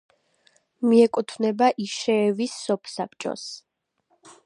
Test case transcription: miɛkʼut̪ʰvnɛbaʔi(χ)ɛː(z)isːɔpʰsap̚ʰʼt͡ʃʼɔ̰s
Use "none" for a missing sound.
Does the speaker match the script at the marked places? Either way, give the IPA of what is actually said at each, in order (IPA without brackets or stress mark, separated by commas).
ʃ, v